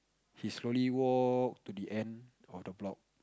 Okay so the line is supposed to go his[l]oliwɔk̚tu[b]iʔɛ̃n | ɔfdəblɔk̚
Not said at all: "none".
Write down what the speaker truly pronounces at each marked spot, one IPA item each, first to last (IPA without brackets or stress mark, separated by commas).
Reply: l, d